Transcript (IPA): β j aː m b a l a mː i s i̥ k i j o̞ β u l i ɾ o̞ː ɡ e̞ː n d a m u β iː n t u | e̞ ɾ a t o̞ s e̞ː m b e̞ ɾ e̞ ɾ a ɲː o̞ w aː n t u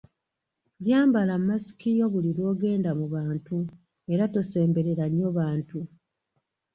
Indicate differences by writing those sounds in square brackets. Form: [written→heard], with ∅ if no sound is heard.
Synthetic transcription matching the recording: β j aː m b a l a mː [i→a] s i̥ k i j o̞ β u l i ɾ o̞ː ɡ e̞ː n d a m u β [iː→aː] n t u | e̞ ɾ a t o̞ s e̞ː m b e̞ ɾ e̞ ɾ a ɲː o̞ [w→β] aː n t u